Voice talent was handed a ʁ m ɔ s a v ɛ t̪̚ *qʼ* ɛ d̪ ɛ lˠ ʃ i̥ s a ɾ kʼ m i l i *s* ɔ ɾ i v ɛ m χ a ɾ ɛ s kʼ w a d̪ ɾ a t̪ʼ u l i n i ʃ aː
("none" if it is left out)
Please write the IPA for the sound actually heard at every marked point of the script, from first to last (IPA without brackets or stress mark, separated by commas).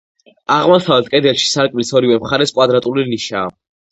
kʼ, s